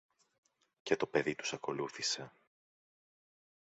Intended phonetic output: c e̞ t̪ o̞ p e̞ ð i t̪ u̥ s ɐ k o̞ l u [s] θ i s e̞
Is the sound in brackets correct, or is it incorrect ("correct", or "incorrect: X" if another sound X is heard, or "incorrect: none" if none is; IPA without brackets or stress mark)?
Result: incorrect: none